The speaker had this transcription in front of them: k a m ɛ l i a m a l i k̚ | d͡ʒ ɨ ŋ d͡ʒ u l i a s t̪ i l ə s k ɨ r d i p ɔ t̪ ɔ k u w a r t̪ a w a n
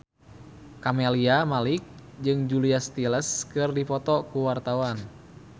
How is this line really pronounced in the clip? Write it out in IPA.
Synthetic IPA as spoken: k a m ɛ l i a m a l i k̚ | d͡ʒ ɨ ŋ d͡ʒ u l i a s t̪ i l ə s k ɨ r d i p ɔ t̪ ɔ k u w a r t̪ a w a n